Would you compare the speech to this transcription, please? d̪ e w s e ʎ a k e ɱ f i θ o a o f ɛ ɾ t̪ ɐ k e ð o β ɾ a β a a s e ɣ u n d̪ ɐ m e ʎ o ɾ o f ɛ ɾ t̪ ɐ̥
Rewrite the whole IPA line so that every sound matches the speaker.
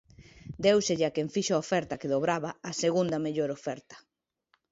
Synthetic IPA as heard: d̪ e w s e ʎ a k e ɱ f i ʃ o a o f ɛ ɾ t̪ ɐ k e ð o β ɾ a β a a s e ɣ u n d̪ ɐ m e ʎ o ɾ o f ɛ ɾ t̪ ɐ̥